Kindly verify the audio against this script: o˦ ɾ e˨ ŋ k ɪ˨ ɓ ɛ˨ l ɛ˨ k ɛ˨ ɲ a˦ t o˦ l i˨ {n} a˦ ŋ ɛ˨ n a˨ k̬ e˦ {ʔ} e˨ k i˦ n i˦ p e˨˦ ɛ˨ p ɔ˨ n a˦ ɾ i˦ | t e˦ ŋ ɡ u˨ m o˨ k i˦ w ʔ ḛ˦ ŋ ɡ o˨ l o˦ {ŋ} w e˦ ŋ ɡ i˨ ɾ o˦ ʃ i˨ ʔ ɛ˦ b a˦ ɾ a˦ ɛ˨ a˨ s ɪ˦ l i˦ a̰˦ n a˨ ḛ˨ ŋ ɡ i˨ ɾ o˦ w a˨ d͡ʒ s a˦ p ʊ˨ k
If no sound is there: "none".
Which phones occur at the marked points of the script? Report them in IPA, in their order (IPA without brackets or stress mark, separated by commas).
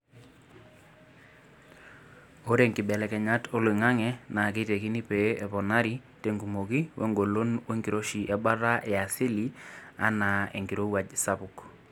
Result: ŋ, t, n